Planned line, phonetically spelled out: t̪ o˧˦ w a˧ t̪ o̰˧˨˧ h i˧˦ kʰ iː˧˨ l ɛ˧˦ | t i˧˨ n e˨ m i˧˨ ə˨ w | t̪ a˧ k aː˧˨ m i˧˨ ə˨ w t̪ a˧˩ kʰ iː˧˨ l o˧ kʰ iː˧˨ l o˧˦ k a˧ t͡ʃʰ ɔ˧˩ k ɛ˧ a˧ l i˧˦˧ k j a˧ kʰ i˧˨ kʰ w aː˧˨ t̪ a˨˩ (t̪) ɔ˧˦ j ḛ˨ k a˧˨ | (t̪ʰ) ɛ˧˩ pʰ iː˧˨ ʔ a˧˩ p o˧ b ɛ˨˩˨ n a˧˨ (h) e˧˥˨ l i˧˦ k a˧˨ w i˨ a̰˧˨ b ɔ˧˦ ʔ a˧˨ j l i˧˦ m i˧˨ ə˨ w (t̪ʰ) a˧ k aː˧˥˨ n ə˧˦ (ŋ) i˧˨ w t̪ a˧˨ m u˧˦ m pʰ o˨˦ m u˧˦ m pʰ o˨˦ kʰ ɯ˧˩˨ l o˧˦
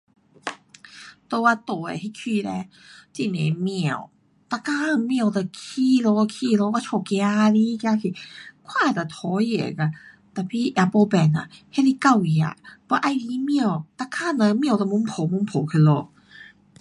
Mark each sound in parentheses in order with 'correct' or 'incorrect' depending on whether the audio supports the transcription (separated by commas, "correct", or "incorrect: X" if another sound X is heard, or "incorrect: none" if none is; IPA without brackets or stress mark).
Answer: incorrect: t̪ʰ, incorrect: t̪, correct, incorrect: t̪, incorrect: m